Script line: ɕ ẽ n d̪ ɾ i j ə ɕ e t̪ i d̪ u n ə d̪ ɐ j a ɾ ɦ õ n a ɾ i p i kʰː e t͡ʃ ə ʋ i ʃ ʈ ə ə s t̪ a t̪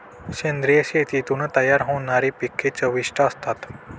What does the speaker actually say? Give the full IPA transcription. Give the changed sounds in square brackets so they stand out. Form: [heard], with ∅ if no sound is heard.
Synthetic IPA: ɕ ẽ n d̪ ɾ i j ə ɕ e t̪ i [t̪] u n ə [t̪] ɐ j a ɾ ɦ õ n a ɾ i p i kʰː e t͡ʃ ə ʋ i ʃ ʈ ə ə s t̪ a t̪

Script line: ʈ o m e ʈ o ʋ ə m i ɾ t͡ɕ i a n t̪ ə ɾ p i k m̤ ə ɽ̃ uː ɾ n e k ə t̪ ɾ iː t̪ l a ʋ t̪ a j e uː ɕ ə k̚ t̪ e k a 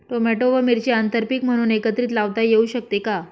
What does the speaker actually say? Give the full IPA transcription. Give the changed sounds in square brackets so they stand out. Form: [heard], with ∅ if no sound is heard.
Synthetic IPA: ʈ o m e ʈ o ʋ ə m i ɾ t͡ɕ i a n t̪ ə ɾ p i k m̤ ə ɽ̃ uː [∅] n e k ə t̪ ɾ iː t̪ l a ʋ t̪ a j e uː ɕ ə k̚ t̪ e k a

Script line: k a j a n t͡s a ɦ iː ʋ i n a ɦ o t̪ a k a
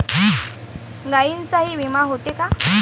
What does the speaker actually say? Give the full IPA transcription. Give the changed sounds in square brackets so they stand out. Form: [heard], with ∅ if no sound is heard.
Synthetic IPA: [ɡ] a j [i] n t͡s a ɦ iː ʋ i [m] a ɦ o t̪ [e] k a

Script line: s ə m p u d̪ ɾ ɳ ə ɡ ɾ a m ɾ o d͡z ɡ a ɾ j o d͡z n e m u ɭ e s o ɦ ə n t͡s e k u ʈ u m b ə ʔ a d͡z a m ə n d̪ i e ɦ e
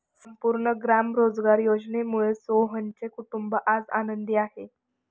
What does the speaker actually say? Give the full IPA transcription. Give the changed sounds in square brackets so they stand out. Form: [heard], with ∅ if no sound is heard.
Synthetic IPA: s ə m p u [∅] ɾ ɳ ə ɡ ɾ a m ɾ o d͡z ɡ a ɾ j o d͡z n e m u ɭ e s o ɦ ə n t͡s e k u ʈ u m b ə ʔ a d͡z a [n] ə n d̪ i [a] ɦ e

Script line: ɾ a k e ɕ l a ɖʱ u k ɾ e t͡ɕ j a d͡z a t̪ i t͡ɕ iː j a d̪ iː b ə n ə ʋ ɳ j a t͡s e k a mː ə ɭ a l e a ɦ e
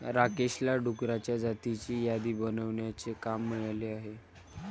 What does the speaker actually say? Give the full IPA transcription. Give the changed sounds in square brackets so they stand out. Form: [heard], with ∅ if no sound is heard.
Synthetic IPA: ɾ a k e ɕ l a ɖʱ u k ɾ [a] t͡ɕ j a d͡z a t̪ i t͡ɕ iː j a d̪ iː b ə n ə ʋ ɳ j a t͡s e k a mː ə ɭ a l e a ɦ e

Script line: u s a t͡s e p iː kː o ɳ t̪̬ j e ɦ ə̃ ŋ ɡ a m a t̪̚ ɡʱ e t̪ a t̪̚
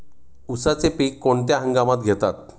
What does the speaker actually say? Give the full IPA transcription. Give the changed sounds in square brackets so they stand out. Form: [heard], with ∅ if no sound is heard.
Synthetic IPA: u s a t͡s e p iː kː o ɳ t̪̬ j [a] ɦ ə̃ ŋ ɡ a m a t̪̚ ɡʱ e t̪ a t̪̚

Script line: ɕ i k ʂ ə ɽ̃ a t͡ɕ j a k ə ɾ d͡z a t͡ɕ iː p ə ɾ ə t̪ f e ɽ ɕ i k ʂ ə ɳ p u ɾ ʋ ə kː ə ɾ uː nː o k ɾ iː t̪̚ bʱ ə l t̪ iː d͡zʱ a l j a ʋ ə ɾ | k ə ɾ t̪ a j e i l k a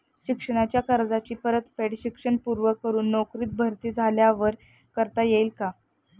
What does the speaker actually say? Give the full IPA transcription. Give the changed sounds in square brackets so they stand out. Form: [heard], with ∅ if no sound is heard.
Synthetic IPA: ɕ i k ʂ ə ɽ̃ a t͡ɕ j a k ə ɾ d͡z a t͡ɕ iː p ə ɾ ə t̪ f e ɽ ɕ i k ʂ ə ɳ p u ɾ ʋ ə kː ə ɾ uː nː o k ɾ iː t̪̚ bʱ ə [ɾ] t̪ iː d͡zʱ a l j a ʋ ə ɾ | k ə ɾ t̪ a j e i l k a

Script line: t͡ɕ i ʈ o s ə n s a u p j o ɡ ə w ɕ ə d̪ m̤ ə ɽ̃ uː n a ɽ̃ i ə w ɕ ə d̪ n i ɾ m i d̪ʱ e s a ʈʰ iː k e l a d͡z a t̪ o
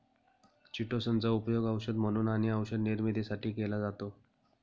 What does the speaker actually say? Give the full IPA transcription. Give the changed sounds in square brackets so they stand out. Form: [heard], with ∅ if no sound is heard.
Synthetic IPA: t͡ɕ i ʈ o s ə n [t͡s] a u p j o ɡ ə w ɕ ə d̪ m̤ ə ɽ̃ uː n a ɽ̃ i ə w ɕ ə d̪ n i ɾ m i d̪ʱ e s a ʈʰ iː k e l a d͡z a t̪ o

